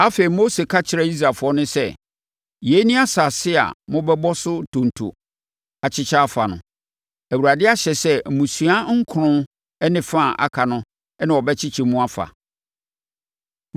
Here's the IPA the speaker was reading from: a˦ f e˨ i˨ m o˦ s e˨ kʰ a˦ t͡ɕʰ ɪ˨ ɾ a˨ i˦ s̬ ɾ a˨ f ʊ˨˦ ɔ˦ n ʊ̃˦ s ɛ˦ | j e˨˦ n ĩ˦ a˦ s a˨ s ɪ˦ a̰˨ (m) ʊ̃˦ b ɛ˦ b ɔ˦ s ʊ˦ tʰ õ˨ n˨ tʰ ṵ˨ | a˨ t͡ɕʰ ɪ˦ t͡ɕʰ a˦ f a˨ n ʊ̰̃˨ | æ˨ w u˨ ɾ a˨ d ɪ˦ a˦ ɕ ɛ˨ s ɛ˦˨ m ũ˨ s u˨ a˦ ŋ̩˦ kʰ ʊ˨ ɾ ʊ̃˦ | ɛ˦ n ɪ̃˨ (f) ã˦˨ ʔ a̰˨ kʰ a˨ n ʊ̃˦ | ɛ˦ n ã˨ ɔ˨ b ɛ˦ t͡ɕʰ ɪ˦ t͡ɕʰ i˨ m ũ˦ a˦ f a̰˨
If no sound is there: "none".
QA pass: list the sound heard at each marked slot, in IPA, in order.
m, f

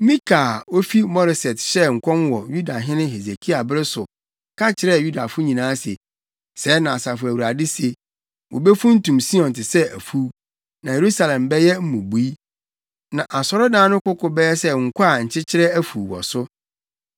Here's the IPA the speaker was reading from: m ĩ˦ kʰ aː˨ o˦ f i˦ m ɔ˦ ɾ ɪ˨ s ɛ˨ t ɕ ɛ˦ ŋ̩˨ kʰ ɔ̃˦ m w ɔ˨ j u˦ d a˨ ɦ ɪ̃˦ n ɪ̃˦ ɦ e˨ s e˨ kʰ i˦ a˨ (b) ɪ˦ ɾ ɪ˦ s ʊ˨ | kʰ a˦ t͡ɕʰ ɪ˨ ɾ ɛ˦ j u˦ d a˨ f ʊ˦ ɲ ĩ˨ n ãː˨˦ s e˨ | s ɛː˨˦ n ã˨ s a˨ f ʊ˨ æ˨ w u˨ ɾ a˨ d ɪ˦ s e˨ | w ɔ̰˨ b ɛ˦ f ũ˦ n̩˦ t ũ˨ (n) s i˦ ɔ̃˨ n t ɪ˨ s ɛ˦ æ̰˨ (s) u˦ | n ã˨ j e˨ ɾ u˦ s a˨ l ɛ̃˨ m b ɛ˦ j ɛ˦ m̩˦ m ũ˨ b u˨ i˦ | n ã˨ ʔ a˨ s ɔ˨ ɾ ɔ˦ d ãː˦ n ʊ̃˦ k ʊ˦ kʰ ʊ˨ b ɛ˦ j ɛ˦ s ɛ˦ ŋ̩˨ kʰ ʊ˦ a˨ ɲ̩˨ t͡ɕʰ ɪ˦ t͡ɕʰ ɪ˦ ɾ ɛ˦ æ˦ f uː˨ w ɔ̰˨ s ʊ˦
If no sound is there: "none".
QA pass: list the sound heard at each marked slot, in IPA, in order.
b, m, f

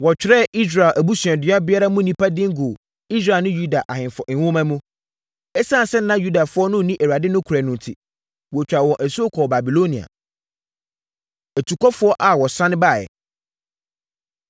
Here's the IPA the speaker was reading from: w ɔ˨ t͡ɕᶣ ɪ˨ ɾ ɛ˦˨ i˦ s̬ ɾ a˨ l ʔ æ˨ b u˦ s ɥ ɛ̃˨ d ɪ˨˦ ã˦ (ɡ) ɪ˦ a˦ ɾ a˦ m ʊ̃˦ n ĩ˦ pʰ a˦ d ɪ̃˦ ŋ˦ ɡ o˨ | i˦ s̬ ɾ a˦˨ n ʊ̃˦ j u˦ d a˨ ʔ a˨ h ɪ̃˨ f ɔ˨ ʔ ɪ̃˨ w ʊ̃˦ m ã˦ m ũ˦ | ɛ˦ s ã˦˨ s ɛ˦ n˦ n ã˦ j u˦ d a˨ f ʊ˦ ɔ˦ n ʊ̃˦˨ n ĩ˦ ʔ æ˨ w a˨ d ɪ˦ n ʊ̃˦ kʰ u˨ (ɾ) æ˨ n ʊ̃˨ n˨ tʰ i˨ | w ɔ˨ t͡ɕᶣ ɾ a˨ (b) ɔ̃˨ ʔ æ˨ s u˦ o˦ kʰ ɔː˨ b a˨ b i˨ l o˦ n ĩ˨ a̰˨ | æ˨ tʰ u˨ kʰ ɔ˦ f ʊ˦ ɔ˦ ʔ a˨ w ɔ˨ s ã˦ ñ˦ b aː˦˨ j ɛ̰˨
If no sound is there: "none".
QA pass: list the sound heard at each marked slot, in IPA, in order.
b, ɾ, w

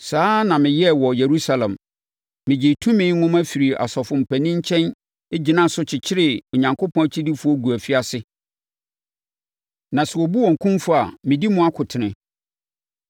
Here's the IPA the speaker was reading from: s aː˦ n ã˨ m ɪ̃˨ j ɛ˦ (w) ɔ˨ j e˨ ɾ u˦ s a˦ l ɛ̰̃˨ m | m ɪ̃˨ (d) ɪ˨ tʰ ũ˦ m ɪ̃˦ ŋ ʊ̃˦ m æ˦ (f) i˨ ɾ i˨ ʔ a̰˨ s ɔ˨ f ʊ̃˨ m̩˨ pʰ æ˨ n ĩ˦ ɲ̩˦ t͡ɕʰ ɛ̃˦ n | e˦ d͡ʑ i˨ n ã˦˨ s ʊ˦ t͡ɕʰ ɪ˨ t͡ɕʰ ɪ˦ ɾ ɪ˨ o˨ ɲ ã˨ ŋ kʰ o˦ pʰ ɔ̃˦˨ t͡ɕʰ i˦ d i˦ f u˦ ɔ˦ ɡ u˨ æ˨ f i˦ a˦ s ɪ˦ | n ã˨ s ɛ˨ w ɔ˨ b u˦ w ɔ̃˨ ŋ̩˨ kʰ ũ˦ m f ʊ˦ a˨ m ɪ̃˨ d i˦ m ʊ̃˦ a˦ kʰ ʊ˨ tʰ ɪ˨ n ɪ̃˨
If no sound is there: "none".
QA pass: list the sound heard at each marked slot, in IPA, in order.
w, d͡ʑ, f

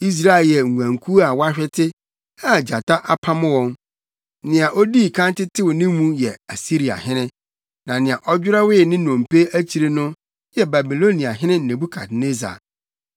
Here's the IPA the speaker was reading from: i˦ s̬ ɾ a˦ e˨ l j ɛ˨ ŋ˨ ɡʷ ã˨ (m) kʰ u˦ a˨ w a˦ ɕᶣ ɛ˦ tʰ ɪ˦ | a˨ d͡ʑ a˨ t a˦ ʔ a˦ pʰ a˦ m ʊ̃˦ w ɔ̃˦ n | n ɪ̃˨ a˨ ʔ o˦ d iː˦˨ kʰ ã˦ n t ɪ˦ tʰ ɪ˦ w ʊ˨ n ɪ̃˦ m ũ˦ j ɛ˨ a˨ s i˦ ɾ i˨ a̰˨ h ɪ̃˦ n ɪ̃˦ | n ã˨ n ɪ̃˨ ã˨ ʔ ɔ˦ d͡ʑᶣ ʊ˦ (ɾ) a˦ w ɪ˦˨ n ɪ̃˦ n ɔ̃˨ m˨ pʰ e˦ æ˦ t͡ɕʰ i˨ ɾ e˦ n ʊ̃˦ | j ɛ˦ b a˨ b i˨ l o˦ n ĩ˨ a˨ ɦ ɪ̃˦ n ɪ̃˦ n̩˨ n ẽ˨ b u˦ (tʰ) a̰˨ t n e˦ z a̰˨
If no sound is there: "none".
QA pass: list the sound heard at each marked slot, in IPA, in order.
ŋ, ɾ, kʰ

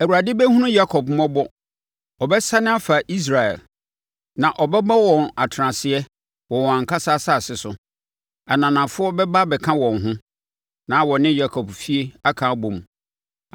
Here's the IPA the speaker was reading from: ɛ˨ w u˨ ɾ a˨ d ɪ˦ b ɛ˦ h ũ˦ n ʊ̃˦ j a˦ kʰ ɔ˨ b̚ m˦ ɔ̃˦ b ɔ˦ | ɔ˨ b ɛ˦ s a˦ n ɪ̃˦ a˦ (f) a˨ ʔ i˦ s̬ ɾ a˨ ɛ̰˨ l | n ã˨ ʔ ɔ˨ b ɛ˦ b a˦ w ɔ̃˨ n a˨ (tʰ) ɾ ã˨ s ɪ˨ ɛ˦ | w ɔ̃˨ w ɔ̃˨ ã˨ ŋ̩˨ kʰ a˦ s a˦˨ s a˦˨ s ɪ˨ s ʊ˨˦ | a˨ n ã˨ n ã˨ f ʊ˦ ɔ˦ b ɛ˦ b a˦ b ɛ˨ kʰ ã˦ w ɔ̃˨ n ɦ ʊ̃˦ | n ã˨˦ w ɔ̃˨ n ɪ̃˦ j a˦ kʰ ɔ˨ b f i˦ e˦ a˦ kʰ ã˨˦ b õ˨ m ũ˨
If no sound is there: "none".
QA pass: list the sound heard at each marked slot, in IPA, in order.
f, tʰ

